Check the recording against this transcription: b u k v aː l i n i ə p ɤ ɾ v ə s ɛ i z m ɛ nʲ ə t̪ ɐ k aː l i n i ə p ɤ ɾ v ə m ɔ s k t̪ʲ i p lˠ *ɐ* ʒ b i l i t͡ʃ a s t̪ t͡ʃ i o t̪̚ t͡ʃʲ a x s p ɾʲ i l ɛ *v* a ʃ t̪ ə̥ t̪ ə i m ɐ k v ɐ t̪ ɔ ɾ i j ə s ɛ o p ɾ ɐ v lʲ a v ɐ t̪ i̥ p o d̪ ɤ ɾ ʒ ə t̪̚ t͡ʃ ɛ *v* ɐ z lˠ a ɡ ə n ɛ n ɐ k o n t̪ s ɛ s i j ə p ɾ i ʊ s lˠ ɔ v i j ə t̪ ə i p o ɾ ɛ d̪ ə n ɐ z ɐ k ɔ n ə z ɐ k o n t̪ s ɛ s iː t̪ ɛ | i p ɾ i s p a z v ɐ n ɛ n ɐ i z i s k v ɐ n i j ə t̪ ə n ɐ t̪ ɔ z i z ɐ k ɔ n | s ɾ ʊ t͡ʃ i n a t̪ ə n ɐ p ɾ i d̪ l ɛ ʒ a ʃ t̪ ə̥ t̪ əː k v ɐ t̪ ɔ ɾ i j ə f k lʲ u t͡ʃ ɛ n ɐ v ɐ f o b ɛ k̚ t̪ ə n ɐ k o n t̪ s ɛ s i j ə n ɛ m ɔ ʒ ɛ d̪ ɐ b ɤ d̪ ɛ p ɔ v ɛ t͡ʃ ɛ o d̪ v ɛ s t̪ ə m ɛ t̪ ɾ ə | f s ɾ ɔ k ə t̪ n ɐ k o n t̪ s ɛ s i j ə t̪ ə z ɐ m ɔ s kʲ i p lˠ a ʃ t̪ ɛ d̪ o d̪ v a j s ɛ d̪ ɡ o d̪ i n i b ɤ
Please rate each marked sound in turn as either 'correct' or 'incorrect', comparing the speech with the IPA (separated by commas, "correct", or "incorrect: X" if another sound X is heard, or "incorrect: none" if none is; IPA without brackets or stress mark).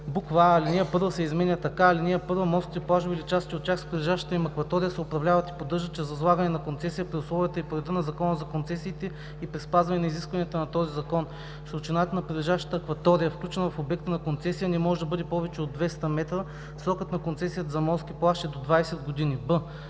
incorrect: a, incorrect: ʒ, incorrect: z